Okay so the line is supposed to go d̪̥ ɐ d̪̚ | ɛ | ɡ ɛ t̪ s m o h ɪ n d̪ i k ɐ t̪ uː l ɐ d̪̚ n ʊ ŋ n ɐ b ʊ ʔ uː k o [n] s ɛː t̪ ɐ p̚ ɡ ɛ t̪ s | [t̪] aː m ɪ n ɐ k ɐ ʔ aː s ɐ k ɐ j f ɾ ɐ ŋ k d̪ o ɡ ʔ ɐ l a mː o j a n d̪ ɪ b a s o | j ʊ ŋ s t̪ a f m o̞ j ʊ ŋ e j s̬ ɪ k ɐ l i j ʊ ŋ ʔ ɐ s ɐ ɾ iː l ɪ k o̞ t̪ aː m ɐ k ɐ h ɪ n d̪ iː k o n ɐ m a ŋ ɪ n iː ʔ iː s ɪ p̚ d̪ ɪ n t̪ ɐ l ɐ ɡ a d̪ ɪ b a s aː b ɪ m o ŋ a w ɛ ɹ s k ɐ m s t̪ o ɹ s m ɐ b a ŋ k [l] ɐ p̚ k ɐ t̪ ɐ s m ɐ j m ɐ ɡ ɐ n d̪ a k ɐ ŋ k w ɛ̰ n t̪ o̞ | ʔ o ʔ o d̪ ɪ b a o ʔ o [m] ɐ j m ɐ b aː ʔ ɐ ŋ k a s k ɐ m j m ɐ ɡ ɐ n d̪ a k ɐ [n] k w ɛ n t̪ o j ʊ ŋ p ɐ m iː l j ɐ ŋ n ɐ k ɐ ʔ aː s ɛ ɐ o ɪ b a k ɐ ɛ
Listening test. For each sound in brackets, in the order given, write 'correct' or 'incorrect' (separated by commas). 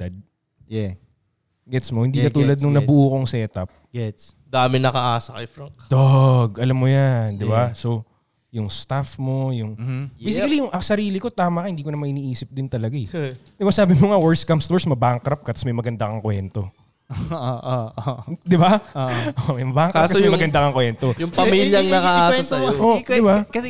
incorrect, incorrect, incorrect, correct, incorrect